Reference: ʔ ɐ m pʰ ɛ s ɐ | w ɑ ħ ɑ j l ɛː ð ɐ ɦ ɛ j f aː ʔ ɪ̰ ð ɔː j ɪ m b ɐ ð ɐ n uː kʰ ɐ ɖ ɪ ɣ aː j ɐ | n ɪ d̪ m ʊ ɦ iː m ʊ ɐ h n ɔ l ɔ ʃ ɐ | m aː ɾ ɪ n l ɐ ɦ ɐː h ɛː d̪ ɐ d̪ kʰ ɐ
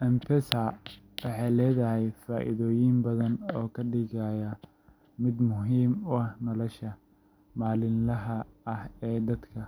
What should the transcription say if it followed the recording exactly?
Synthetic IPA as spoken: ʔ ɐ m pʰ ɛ s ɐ | w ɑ ħ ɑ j l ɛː ð ɐ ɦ ɛ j f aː ʔ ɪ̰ ð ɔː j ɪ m b ɐ ð ɐ n ɔː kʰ ɐ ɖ ɪ ɣ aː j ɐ | m ɪ d̪ m ʊ ɦ iː m ʊ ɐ h n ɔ l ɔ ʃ ɐ | m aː l ɪ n l ɐ ɦ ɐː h ɛː d̪ ɐ d̪ kʰ ɐ